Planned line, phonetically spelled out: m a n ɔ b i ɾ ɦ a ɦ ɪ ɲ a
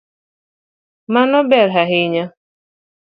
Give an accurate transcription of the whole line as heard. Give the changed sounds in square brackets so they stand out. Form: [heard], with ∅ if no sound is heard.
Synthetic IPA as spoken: m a n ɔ b [ɛ] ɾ ɦ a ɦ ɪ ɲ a

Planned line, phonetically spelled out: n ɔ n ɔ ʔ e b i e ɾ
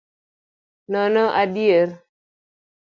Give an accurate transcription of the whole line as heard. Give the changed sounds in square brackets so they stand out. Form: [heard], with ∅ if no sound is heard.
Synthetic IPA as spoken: n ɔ n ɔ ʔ [a] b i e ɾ

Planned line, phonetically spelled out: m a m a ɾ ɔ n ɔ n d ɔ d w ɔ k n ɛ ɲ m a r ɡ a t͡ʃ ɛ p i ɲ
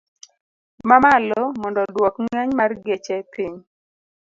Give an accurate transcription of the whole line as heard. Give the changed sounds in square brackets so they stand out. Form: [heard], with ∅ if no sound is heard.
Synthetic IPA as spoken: m a m a [l] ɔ [m] ɔ n d ɔ d w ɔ k [ŋ] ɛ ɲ m a r ɡ [e] t͡ʃ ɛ p i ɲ

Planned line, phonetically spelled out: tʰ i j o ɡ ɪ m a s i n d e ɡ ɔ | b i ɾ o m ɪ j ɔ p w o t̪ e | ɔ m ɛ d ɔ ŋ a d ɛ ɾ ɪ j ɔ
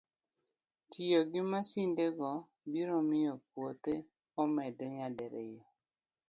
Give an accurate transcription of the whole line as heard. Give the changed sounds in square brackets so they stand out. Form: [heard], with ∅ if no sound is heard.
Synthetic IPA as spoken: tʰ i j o ɡ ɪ m a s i n d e ɡ ɔ | b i ɾ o m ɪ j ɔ p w o t̪ e | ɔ m ɛ d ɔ [ɲ] a d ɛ ɾ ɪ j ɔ

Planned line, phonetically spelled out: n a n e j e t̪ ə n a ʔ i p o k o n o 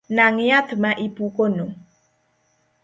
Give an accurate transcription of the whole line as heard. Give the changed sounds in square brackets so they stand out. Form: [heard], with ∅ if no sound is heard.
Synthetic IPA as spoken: n a [ŋ] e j [a] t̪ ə [m] a ʔ i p [u] k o n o

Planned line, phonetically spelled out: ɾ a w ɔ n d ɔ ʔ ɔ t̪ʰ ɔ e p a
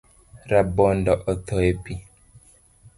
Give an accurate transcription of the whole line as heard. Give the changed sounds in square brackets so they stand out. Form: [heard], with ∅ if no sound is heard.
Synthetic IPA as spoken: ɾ a [b] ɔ n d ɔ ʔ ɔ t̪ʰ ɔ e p [i]

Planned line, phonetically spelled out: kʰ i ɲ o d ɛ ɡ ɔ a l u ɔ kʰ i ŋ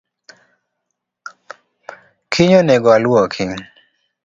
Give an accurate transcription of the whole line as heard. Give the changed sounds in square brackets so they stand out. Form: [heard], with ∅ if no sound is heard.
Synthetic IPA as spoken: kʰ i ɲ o [n] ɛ ɡ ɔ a l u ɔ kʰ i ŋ

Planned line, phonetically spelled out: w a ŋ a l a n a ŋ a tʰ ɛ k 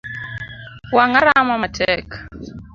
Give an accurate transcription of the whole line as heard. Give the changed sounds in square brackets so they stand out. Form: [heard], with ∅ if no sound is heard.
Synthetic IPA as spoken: w a ŋ a [ɾ] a [m] a [m] a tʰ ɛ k

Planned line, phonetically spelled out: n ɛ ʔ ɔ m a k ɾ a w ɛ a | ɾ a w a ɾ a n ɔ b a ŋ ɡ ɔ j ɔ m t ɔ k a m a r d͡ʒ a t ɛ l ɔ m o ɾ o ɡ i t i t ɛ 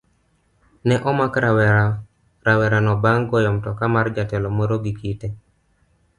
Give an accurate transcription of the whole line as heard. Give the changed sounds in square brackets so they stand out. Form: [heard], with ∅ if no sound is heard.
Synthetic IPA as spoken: n ɛ ʔ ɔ m a k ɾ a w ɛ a | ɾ a w [ɛ] ɾ a n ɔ b a ŋ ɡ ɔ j ɔ m t ɔ k a m a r d͡ʒ a t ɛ l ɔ m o ɾ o ɡ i [k] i t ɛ

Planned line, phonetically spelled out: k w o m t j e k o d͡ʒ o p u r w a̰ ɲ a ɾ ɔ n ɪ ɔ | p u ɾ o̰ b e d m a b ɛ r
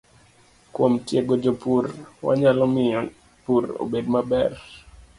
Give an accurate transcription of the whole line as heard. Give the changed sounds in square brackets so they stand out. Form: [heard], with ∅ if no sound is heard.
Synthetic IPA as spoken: k w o m t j e [ɡ] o d͡ʒ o p u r w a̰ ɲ a [l] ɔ [m] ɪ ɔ | p u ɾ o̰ b e d m a b ɛ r

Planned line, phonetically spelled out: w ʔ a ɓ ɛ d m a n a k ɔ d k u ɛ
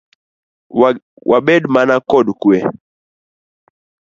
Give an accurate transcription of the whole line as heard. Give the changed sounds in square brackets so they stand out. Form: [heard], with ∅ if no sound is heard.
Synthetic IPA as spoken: w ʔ a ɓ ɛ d m a n a k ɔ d k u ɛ

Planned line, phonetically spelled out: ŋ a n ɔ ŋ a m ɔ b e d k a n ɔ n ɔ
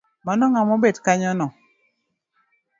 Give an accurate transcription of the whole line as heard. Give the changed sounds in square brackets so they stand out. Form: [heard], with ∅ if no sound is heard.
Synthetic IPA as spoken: [m] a n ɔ ŋ a m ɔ b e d k a [ɲ] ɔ n ɔ

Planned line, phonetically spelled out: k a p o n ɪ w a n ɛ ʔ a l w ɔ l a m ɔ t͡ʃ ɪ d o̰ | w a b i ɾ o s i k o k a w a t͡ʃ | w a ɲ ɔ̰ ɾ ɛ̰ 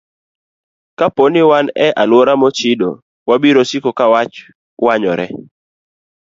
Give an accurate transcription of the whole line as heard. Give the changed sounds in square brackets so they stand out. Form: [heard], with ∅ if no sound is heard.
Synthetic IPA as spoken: k a p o n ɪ w a n ɛ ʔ a l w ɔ [ɾ] a m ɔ t͡ʃ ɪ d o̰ | w a b i ɾ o s i k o k a w a t͡ʃ | w a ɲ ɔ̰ ɾ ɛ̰

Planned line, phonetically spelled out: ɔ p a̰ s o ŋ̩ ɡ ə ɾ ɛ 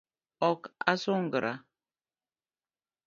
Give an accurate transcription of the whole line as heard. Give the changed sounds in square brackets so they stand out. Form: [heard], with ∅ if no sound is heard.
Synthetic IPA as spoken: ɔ [k] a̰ s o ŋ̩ ɡ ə ɾ [a]

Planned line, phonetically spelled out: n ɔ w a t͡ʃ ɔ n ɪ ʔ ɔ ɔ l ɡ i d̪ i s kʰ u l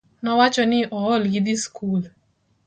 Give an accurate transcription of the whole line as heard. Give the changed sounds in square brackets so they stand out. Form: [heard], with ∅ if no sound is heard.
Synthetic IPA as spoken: n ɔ w a t͡ʃ ɔ n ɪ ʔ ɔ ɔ l ɡ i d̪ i s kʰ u l

